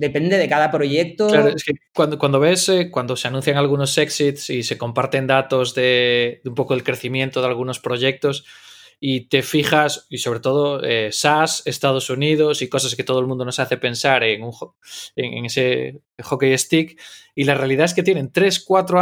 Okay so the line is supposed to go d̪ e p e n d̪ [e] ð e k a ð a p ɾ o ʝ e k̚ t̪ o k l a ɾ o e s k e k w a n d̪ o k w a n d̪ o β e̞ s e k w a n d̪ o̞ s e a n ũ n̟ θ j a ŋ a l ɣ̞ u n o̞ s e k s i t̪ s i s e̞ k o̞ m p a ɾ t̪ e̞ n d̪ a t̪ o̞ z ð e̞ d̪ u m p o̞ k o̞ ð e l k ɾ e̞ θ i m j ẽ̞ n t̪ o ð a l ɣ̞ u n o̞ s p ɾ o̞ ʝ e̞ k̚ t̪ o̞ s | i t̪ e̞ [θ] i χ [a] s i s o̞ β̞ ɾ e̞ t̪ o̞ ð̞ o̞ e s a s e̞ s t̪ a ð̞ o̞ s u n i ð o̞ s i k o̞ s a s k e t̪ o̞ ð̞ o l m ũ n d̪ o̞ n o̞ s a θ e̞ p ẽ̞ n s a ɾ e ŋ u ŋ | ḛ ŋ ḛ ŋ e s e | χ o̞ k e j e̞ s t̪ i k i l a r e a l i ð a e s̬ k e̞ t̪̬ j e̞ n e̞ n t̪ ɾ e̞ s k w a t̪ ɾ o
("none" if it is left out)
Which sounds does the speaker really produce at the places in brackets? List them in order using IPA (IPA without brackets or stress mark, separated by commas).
e, f, a